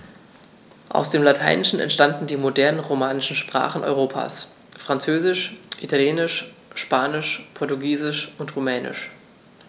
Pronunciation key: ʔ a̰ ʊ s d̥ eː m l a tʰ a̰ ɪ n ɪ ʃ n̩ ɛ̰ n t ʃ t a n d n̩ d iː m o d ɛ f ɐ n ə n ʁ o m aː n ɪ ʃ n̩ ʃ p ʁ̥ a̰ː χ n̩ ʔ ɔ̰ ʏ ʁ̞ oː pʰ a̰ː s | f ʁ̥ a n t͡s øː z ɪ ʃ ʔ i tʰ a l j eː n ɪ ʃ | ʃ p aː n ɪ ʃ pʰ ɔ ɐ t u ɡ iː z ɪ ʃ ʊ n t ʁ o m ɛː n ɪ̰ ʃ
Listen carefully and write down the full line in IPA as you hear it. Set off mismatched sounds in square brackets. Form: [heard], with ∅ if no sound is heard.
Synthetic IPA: ʔ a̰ ʊ s d̥ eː m l a tʰ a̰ ɪ n ɪ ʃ n̩ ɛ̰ n t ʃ t a n d n̩ d iː m o d ɛ [∅] ɐ n ə n ʁ o m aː n ɪ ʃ n̩ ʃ p ʁ̥ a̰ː χ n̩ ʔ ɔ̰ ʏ ʁ̞ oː pʰ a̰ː s | f ʁ̥ a n t͡s øː z ɪ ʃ ʔ i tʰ a l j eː n ɪ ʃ | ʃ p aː n ɪ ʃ pʰ ɔ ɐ t u ɡ iː z ɪ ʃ ʊ n t ʁ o m ɛː n ɪ̰ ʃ